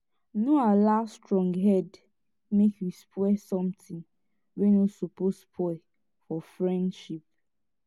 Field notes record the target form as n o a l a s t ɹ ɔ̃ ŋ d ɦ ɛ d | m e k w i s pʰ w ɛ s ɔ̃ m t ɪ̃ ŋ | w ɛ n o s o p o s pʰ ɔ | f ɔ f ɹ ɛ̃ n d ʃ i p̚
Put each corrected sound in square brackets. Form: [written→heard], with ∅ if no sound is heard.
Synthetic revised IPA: n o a l a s t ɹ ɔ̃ ŋ [d→ɡ] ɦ ɛ d | m e k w i s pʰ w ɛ s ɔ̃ m t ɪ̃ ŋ | w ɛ n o s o p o s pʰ ɔ | f ɔ f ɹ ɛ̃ n d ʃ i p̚